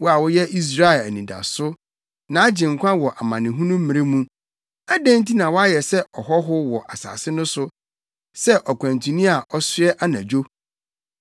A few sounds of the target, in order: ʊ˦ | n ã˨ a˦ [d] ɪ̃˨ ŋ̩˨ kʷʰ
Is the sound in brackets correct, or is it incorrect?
incorrect: d͡ʑ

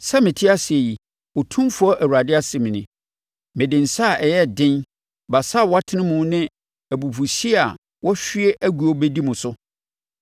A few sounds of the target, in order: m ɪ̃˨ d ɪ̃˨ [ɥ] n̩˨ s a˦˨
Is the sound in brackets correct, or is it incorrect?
incorrect: none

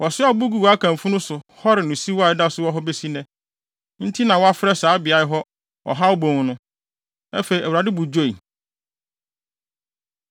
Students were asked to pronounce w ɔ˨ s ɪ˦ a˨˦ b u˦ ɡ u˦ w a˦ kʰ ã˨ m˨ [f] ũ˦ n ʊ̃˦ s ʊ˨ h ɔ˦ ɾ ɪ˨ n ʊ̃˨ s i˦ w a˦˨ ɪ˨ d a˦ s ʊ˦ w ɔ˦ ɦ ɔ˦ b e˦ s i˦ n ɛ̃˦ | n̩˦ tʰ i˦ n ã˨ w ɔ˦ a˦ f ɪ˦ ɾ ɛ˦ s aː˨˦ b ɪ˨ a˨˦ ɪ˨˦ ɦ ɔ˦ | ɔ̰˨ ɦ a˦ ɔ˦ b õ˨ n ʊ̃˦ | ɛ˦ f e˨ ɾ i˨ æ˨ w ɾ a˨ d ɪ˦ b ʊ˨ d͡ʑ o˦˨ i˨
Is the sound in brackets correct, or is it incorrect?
correct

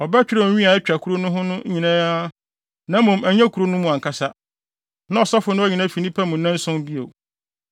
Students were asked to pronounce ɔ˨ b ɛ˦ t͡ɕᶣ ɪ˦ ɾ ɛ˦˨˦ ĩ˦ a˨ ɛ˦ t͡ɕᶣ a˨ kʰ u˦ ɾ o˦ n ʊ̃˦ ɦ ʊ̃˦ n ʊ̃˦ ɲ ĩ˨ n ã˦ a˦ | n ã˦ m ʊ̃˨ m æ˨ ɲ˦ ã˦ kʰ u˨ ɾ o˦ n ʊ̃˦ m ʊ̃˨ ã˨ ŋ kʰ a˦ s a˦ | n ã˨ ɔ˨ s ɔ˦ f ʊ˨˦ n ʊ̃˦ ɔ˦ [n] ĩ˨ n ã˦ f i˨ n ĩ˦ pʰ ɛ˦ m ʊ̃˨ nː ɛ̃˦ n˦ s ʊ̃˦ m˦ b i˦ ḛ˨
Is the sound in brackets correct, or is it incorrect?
incorrect: ɲ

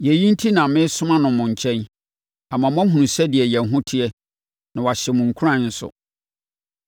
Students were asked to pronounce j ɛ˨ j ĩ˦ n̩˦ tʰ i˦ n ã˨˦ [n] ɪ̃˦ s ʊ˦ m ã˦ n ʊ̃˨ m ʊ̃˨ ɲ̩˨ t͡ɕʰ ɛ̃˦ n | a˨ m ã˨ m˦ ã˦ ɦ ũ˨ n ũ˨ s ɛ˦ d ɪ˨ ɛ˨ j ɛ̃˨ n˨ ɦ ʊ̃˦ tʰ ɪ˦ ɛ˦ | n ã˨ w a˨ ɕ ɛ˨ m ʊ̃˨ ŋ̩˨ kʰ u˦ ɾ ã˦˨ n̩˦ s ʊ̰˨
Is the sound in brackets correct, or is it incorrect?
incorrect: m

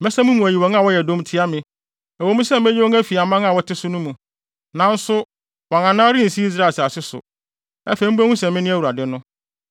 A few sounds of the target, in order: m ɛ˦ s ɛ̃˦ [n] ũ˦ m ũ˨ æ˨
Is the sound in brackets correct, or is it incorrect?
incorrect: m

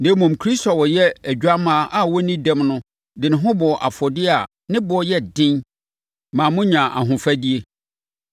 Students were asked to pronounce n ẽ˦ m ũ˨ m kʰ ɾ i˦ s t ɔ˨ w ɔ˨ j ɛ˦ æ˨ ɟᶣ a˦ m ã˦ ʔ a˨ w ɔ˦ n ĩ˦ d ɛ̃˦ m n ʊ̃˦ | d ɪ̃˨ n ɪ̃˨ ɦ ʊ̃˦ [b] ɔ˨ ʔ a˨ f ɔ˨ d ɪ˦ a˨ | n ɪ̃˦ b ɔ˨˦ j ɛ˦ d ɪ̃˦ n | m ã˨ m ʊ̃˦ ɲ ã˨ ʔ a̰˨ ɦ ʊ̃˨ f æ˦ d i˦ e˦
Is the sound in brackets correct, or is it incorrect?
correct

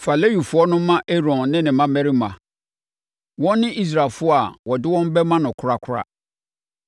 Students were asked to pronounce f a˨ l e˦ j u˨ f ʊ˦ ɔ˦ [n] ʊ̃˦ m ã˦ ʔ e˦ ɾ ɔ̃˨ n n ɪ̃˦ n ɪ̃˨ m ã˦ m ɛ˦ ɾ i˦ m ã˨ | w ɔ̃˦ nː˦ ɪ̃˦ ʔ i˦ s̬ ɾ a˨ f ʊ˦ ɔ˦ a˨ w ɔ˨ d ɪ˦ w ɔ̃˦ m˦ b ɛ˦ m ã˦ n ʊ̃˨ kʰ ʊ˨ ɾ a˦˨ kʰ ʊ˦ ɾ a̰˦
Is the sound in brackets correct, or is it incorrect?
correct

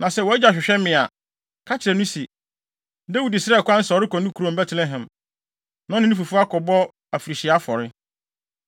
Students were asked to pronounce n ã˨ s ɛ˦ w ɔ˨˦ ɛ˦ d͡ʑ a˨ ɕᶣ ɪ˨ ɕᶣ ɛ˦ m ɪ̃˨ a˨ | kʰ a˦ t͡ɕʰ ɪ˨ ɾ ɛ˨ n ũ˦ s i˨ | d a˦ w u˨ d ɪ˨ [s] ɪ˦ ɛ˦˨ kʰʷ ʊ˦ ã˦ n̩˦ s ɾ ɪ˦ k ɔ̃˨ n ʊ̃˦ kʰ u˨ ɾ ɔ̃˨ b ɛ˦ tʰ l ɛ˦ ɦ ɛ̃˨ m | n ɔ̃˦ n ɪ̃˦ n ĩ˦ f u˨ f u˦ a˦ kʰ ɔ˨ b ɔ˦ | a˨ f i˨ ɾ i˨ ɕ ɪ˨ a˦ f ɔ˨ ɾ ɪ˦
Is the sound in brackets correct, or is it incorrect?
correct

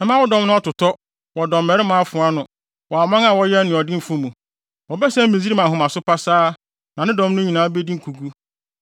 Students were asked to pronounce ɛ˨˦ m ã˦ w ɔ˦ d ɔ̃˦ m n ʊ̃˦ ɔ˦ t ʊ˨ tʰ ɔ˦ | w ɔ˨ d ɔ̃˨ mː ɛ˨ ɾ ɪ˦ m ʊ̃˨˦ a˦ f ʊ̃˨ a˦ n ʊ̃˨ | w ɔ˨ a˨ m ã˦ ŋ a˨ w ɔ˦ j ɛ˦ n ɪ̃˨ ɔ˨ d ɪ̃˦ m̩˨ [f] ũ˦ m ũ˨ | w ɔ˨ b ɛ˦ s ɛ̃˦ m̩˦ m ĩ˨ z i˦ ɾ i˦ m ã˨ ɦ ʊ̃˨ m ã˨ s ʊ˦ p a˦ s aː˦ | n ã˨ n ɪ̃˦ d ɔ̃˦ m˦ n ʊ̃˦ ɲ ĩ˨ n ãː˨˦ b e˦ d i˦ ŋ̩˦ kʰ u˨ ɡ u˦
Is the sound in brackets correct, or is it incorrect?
correct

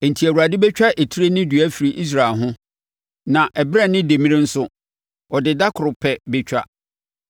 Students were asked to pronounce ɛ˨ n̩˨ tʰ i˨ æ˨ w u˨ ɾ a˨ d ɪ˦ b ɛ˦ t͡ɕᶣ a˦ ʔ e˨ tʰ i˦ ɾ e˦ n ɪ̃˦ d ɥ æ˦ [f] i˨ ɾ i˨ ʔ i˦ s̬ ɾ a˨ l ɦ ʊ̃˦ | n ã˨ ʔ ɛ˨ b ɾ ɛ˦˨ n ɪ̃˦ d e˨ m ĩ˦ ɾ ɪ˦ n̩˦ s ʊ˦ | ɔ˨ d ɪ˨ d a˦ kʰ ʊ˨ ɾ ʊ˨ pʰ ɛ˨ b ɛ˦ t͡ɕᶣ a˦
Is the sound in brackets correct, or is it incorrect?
correct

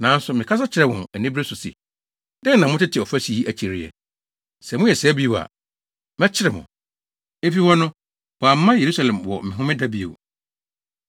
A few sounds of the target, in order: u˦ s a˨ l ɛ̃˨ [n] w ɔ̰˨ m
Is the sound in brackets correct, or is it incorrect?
incorrect: m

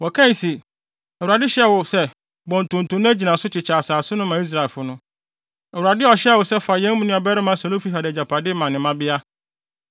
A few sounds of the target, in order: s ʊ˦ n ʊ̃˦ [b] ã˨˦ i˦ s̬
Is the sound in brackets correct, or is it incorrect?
incorrect: m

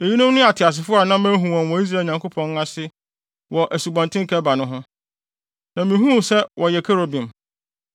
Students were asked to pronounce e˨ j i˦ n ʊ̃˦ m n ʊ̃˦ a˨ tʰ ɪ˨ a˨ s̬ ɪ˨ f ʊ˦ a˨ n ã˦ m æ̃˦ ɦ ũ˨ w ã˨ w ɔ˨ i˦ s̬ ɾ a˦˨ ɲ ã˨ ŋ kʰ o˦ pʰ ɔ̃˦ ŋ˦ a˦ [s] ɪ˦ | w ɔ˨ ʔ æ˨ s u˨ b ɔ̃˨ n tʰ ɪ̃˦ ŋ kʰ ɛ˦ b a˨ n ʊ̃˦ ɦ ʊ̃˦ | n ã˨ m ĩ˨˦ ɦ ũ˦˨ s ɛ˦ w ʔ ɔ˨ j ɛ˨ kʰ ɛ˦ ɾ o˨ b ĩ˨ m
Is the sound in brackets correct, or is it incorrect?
correct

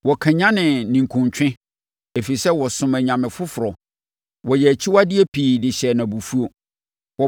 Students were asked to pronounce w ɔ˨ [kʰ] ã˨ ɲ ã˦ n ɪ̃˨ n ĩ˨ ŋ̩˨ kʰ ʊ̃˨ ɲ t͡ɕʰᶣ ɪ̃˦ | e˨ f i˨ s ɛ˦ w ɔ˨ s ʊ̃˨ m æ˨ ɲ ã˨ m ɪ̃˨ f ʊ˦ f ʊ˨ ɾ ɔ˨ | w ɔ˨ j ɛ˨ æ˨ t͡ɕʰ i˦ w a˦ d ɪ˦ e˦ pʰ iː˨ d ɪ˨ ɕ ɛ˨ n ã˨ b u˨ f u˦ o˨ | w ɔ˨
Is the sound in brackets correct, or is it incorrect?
correct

